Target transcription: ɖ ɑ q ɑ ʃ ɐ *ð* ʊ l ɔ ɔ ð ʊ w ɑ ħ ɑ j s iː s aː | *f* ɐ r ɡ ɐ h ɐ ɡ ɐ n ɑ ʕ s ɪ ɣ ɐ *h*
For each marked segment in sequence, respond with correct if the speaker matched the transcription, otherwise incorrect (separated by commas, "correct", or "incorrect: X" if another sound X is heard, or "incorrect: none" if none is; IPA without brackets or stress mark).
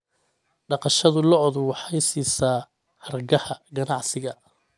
correct, incorrect: h, incorrect: none